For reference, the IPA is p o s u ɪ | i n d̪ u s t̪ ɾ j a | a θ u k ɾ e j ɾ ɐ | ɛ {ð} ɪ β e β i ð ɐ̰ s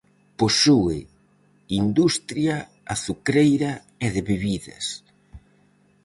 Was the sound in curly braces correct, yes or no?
yes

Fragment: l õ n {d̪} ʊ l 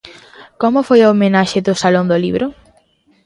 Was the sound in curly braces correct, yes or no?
yes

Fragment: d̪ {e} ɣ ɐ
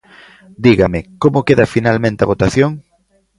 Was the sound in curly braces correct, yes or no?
no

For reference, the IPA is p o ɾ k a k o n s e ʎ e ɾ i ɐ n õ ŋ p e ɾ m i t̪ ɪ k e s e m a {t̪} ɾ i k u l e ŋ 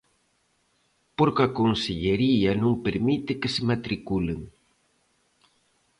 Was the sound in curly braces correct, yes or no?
yes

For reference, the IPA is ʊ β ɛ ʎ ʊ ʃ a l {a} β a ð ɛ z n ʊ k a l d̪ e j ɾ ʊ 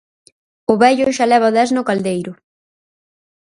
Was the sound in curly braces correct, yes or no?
no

